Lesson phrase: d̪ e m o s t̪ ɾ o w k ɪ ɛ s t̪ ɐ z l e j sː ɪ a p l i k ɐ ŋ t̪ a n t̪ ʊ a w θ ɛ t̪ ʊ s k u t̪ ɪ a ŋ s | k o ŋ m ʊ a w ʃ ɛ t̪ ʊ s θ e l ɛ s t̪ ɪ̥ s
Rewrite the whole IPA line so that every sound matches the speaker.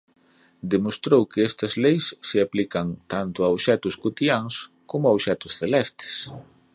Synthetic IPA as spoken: d̪ e m o s t̪ ɾ o w k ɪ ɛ s t̪ ɐ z l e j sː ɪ a p l i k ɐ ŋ t̪ a n t̪ ʊ a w ʃ ɛ t̪ ʊ s k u t̪ i a ŋ s | k o m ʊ a w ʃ ɛ t̪ ʊ s θ e l ɛ s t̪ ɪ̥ s

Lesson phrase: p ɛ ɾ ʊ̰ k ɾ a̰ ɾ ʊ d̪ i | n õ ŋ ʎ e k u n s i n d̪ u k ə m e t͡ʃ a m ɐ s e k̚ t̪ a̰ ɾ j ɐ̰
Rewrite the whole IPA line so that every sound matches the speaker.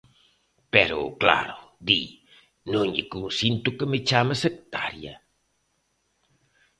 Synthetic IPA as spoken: p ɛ ɾ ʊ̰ k l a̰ ɾ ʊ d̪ i | n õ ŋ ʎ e k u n s i n t̪ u k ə m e t͡ʃ a m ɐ s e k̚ t̪ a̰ ɾ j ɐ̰

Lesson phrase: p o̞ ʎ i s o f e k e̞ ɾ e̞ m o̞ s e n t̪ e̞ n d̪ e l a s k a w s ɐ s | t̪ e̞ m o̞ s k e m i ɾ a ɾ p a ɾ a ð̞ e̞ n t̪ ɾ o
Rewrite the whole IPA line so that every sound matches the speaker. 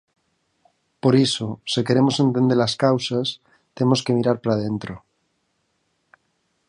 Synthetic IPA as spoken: p o̞ ɾ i s o s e k e̞ ɾ e̞ m o̞ s e n t̪ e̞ n d̪ e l a s k a w s a s | t̪ e̞ m o̞ s k e m i ɾ a ɾ p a ɾ a ð̞ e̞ n t̪ ɾ o

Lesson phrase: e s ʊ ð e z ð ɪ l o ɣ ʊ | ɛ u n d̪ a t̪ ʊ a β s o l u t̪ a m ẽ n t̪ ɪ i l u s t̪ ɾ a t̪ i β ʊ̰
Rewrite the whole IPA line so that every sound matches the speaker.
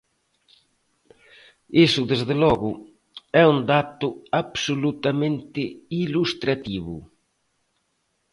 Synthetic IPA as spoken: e s ʊ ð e z ð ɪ l ɔ ɣ ʊ | ɛ u n d̪ a t̪ ʊ a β s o l u t̪ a m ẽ n t̪ ɪ i l u s t̪ ɾ a t̪ i β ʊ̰

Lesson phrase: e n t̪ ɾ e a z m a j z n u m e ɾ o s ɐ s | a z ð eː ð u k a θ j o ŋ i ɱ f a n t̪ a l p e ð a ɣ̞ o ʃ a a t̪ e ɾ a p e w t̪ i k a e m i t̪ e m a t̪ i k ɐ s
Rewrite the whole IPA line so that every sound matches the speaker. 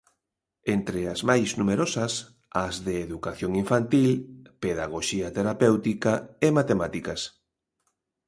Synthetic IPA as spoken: e n t̪ ɾ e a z m a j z n u m e ɾ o s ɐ s | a z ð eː ð u k a θ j o ŋ i ɱ f a n t̪ i l p e ð a ɣ̞ o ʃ i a t̪ e ɾ a p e w t̪ i k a e m a t̪ e m a t̪ i k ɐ s

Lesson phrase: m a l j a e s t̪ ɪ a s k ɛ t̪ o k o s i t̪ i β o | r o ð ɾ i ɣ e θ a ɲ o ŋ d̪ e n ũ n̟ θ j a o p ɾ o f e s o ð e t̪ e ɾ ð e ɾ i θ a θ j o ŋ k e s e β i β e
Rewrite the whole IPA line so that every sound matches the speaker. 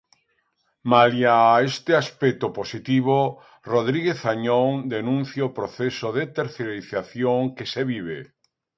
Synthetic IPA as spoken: m a l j a e s t̪ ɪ a s p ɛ t̪ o p o s i t̪ i β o | r o ð ɾ i ɣ e θ a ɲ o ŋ d̪ e n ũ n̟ θ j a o p ɾ o θ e s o ð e t̪ e ɾ θ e ɾ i θ a θ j o ŋ k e s e β i β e

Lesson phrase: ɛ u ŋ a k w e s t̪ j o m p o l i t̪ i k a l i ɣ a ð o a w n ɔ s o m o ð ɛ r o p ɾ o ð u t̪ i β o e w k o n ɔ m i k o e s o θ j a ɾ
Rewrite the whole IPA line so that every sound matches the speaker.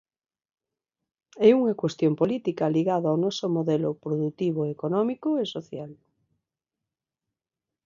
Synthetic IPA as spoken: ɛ u ŋ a k w e s t̪ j o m p o l i t̪ i k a l i ɣ a ð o a w n ɔ s o m o ð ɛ l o p ɾ o ð u t̪ i β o e k o n ɔ m i k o e s o θ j a l

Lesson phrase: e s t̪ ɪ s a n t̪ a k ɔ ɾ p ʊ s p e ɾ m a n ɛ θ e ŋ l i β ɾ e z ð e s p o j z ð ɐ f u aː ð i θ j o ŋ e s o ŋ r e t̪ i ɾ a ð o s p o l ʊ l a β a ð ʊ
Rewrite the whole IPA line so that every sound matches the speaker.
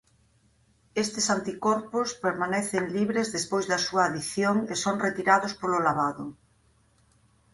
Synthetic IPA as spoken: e s t̪ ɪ s a n t̪ i k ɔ ɾ p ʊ s p e ɾ m a n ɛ θ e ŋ l i β ɾ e z ð e s p o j z ð ɐ s u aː ð i θ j o ŋ e s o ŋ r e t̪ i ɾ a ð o s p o l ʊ l a β a ð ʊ

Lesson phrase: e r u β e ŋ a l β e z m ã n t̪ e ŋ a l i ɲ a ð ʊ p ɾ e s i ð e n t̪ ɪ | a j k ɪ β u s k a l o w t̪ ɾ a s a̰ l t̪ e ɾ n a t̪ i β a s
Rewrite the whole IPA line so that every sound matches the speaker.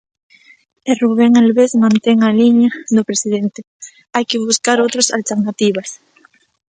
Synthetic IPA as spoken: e r u β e ŋ a l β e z m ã n t̪ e ŋ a l i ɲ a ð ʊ p ɾ e s i ð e n t̪ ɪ | a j k ɪ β u s k a ɾ o w t̪ ɾ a s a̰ l t̪ e ɾ n a t̪ i β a s

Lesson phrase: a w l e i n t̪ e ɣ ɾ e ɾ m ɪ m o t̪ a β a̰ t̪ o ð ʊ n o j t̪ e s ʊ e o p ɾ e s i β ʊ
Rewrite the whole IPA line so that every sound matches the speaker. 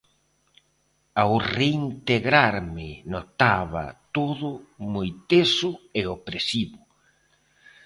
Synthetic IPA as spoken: a w r e i n t̪ e ɣ ɾ a ɾ m ɪ n o t̪ a β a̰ t̪ o ð ʊ m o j t̪ e s ʊ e o p ɾ e s i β ʊ

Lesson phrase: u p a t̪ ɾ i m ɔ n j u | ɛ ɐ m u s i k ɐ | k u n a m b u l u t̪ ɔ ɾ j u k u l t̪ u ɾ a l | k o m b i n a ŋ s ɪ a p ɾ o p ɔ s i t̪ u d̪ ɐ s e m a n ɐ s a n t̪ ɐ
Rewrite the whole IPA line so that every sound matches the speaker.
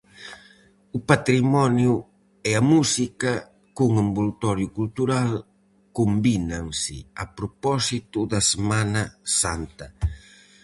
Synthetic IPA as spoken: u p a t̪ ɾ i m ɔ n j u | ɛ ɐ m u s i k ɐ | k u ŋ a m b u l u t̪ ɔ ɾ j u k u l t̪ u ɾ a l | k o m b i n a ŋ s ɪ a p ɾ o p ɔ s i t̪ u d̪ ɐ s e m a n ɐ s a n t̪ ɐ

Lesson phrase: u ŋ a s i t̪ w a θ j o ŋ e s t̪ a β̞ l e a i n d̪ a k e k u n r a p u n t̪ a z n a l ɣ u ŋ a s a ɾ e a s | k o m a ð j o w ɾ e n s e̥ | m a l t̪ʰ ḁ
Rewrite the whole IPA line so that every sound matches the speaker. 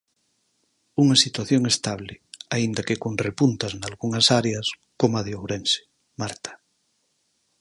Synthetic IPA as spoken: u ŋ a s i t̪ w a θ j o ŋ e s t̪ a β̞ l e a i n d̪ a k e k o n r e p u n t̪ a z n a l ɣ u ŋ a s a ɾ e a s | k o m a ð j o w ɾ e n s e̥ | m a ɾ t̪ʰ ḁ

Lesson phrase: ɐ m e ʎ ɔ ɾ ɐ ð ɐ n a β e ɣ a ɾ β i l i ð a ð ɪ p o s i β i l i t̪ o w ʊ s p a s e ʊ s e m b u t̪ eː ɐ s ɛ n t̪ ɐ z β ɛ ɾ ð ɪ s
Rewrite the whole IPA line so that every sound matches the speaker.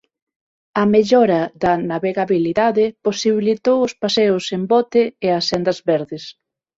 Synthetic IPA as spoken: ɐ m e ʎ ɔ ɾ ɐ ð ɐ n a β e ɣ a β i l i ð a ð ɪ p o s i β i l i t̪ o w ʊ s p a s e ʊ s e m b ɔ t̪ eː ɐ s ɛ n d̪ ɐ z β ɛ ɾ ð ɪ s

